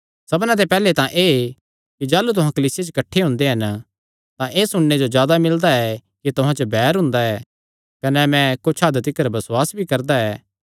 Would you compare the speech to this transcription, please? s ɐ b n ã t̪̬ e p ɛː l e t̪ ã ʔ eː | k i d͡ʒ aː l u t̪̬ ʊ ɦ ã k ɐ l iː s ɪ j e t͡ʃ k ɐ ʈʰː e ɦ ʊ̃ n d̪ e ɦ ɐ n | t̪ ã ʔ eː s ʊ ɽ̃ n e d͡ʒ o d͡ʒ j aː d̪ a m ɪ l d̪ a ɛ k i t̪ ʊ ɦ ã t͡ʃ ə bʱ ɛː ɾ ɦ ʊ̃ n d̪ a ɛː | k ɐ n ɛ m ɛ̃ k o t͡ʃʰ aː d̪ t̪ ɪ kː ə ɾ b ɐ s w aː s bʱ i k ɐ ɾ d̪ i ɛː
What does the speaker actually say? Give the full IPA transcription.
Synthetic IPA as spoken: s ɐ b n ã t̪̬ e p ɛː l e t̪ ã ʔ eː | k i d͡ʒ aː l u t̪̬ ʊ ɦ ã k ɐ l iː s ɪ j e t͡ʃ k ɐ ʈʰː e ɦ ʊ̃ n d̪ e ɦ ɐ n | t̪ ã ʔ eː s ʊ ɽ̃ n e d͡ʒ o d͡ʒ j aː d̪ a m ɪ l d̪ a ɛ k i t̪ ʊ ɦ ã t͡ʃ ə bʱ ɛː ɾ ɦ ʊ̃ n d̪ a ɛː | k ɐ n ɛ m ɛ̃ k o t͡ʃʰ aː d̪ t̪ ɪ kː ə ɾ b ɐ s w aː s bʱ i k ɐ ɾ d̪ a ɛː